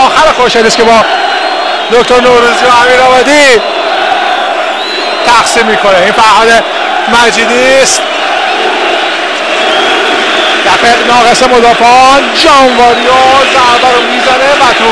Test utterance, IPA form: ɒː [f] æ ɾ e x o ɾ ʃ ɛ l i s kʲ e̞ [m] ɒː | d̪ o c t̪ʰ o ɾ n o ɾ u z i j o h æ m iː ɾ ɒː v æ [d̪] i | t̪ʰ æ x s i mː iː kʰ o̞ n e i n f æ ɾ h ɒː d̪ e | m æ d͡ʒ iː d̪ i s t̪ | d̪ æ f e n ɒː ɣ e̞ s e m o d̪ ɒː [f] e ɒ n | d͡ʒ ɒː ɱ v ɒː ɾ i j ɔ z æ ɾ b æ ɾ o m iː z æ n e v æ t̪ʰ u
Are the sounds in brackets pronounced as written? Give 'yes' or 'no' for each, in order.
no, no, yes, yes

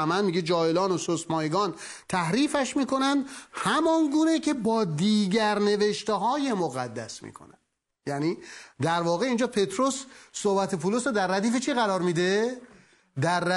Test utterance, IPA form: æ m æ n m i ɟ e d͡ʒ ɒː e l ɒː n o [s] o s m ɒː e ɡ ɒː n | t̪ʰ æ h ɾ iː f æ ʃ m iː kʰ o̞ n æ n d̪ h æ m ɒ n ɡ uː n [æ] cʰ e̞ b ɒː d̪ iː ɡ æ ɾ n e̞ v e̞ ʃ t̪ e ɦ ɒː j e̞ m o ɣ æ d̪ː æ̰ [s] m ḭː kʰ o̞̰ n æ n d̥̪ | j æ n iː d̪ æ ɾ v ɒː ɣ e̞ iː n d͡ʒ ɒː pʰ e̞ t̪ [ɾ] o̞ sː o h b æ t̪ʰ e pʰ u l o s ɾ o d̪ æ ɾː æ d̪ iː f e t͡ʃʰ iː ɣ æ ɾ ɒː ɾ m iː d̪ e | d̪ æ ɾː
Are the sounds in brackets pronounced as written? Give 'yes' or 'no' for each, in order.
yes, no, yes, yes

